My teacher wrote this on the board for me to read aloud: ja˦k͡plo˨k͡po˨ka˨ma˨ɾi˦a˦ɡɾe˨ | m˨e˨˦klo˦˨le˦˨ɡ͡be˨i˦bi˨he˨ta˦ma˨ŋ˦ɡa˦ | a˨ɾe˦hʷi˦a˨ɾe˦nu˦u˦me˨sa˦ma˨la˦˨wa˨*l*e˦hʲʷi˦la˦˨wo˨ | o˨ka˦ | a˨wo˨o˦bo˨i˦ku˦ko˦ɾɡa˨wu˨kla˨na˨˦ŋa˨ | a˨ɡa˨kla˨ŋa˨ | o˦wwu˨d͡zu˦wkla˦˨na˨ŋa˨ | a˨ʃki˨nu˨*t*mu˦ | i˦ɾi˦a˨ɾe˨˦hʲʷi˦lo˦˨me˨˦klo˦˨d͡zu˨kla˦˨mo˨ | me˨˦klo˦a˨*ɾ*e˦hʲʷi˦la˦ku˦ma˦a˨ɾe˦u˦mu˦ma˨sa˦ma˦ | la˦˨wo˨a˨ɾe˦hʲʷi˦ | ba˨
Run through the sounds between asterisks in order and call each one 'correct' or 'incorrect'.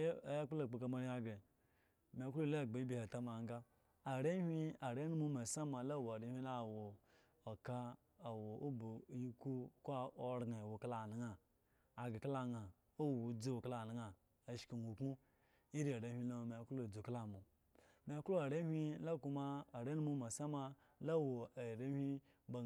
incorrect, incorrect, correct

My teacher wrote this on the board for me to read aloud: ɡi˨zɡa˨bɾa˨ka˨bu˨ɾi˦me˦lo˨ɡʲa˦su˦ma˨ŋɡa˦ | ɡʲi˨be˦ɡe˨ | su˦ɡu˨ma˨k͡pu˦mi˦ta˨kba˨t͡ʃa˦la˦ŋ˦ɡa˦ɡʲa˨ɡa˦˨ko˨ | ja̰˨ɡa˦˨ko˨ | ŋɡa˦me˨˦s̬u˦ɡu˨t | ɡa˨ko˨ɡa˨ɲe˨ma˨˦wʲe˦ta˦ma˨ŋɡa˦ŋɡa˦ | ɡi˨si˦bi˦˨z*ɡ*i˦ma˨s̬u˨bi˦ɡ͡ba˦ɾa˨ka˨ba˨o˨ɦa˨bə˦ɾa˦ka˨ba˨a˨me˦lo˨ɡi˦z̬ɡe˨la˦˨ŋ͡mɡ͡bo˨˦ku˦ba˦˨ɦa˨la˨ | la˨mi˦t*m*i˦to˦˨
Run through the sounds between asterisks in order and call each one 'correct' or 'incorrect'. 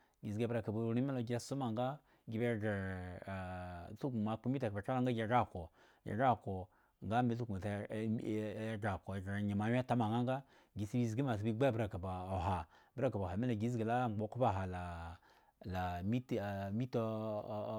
correct, correct

